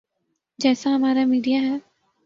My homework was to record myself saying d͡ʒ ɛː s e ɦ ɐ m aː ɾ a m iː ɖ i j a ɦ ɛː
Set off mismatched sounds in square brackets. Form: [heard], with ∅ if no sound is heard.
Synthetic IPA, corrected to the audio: d͡ʒ ɛː s [a] ɦ ɐ m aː ɾ a m iː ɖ i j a ɦ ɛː